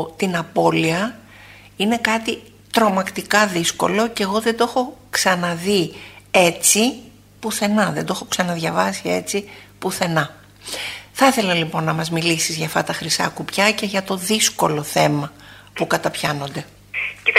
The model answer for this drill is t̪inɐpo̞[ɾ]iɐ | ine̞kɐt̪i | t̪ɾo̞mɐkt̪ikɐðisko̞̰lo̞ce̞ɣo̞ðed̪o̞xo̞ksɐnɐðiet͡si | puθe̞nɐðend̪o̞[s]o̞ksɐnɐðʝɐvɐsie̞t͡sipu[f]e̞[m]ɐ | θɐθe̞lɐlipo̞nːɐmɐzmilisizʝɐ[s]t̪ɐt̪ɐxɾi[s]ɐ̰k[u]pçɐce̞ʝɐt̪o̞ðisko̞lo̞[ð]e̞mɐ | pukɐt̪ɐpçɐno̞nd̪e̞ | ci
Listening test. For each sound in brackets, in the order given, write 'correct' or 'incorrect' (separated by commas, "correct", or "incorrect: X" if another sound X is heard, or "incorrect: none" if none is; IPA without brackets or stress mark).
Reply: incorrect: l, incorrect: x, incorrect: θ, incorrect: n, incorrect: f, correct, correct, incorrect: θ